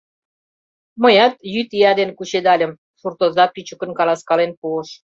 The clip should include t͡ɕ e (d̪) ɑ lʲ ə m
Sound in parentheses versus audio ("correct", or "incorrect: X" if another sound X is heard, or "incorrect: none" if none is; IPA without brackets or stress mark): correct